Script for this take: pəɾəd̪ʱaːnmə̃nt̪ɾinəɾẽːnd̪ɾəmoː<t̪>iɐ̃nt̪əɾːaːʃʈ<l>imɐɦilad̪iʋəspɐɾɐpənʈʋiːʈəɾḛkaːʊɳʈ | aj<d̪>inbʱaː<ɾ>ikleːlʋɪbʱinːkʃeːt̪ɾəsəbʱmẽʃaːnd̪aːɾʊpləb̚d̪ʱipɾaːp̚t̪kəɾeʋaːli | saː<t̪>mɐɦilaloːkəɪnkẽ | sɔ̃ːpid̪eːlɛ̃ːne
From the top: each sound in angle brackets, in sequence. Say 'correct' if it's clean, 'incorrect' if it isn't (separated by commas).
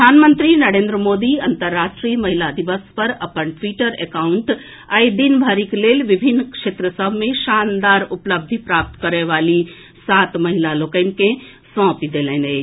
incorrect, incorrect, correct, correct, correct